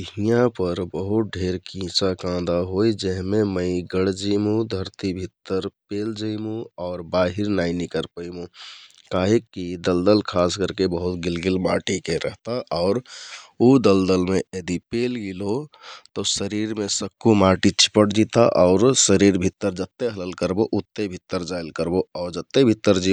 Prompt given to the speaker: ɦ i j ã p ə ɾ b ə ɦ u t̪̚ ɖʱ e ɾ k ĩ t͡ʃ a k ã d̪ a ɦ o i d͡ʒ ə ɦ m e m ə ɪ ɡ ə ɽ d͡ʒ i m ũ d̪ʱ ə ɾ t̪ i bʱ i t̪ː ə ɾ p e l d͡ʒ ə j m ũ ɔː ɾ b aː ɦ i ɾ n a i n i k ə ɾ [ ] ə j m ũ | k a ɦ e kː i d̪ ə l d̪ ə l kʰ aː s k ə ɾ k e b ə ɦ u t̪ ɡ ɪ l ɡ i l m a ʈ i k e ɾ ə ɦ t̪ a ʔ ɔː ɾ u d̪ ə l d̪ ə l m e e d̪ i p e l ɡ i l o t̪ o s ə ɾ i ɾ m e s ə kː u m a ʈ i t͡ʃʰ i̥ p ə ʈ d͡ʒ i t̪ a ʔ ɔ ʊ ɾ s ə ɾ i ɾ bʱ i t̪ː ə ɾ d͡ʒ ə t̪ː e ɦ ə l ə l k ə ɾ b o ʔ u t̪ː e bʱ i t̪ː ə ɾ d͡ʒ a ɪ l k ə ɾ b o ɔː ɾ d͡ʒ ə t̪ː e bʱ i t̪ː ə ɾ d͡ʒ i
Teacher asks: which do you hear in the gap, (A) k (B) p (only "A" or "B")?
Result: B